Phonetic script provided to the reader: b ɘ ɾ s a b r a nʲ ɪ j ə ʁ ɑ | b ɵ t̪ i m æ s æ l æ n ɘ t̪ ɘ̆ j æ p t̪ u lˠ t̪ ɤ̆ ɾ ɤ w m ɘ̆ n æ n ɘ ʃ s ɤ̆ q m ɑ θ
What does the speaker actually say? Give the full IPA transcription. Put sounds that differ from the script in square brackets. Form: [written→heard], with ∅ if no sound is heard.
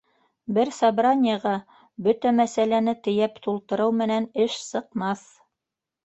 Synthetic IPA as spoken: b ɘ ɾ s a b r a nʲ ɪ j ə ʁ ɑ | b ɵ t̪ [i→æ] m æ s æ l æ n ɘ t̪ ɘ̆ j æ p t̪ u lˠ t̪ ɤ̆ ɾ ɤ w m ɘ̆ n æ n ɘ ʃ s ɤ̆ q m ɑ θ